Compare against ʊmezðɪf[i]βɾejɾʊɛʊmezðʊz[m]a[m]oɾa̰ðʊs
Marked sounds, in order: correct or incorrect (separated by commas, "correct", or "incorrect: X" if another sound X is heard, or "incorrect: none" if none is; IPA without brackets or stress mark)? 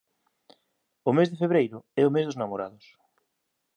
incorrect: e, incorrect: n, correct